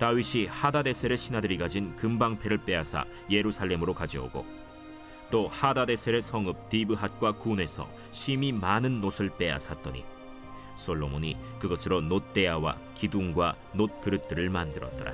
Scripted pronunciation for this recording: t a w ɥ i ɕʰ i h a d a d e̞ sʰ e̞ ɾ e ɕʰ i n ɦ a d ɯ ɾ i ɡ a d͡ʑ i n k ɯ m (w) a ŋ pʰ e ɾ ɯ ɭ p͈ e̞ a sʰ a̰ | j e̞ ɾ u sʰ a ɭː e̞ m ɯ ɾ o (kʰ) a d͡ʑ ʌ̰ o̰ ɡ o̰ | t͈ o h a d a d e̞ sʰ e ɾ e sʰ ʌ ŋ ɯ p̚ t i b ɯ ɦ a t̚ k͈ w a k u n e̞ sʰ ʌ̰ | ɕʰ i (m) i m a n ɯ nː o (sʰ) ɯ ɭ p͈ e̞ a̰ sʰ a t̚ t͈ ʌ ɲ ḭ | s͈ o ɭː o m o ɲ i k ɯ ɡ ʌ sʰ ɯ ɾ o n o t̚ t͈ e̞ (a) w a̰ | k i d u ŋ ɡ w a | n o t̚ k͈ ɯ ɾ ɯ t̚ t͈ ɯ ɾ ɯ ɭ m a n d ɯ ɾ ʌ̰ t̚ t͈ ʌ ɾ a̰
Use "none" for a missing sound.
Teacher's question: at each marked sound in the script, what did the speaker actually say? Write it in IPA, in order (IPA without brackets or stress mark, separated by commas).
b, k, m, sʰ, a